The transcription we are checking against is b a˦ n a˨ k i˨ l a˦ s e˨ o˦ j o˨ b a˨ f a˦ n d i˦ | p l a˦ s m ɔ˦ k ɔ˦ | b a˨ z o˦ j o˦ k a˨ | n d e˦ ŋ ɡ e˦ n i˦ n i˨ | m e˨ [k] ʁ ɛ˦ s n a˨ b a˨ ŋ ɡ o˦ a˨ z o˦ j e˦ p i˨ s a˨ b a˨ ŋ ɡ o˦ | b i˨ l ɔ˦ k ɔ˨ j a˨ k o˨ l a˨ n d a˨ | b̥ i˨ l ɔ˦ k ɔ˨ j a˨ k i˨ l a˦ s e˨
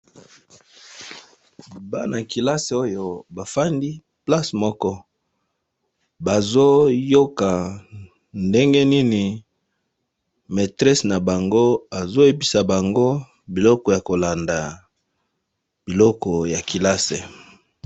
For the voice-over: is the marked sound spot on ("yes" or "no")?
no